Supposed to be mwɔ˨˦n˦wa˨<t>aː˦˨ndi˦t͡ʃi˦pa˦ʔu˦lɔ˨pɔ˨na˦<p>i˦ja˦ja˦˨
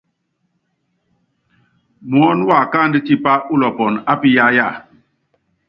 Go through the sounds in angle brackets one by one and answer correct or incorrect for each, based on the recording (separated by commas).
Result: incorrect, correct